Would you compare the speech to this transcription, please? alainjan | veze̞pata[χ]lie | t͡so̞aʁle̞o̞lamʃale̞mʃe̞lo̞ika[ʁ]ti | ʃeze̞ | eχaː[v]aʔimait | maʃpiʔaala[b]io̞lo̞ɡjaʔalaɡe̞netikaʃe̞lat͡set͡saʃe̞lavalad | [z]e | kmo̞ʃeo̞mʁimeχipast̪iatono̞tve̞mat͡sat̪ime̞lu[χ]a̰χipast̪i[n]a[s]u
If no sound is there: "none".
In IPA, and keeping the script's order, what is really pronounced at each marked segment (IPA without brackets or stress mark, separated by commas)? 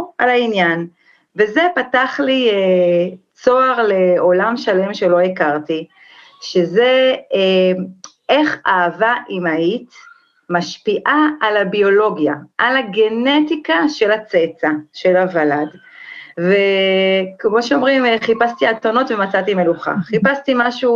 χ, ʁ, v, b, v, χ, m, ʃ